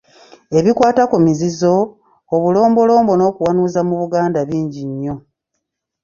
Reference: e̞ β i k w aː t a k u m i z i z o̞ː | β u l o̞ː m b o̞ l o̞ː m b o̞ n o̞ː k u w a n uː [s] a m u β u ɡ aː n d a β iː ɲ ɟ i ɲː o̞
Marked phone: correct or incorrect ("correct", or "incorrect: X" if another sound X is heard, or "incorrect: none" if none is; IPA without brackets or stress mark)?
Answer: incorrect: z